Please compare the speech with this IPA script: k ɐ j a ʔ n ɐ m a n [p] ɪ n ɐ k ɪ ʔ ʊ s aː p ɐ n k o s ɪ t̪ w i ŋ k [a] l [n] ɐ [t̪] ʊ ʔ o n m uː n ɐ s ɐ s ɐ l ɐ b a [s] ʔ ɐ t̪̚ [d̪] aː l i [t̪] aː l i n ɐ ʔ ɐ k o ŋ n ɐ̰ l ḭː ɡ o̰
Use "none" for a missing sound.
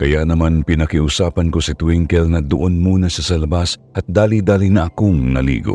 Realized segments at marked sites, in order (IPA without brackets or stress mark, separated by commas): p, ɛ, n, d̪, s, d̪, d̪